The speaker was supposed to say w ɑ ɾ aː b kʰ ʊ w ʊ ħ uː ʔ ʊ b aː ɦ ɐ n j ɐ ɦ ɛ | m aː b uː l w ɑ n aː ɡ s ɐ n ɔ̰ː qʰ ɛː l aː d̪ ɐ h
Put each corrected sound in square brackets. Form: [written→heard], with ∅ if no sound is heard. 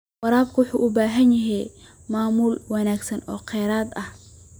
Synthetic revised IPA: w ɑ ɾ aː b kʰ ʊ w ʊ ħ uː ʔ ʊ b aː ɦ ɐ n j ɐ ɦ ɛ | m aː [b→m] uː l w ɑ n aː ɡ s ɐ n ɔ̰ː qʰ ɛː [l→ɾ] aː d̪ ɐ h